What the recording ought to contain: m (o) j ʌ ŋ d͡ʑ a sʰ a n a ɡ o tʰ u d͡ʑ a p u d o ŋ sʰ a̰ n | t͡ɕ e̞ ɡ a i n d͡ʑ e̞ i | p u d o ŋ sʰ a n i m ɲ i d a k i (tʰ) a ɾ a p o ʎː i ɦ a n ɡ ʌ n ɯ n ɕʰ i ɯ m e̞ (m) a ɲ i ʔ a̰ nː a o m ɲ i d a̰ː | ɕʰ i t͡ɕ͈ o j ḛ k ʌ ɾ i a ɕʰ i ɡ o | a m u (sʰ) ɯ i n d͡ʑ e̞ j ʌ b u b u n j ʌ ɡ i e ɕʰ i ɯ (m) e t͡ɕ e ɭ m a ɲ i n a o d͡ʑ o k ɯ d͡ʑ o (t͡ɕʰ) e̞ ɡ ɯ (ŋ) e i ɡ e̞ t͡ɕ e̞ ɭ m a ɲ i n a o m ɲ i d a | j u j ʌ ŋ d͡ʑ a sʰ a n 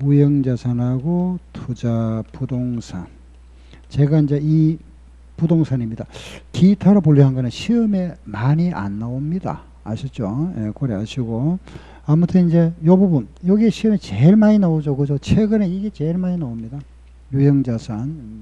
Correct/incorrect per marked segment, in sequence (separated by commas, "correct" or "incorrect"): incorrect, correct, correct, incorrect, correct, correct, incorrect